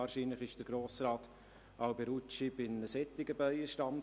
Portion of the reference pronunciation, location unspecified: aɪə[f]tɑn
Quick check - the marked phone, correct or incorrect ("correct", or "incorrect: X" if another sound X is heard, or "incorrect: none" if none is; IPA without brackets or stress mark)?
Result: incorrect: ʃ